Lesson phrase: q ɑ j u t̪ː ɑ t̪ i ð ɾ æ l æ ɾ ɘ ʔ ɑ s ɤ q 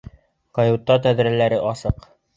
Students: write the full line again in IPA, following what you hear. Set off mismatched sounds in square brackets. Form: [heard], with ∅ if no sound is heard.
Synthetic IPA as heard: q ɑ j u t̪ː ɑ t̪ [æ] ð ɾ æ l æ ɾ ɘ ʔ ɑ s ɤ q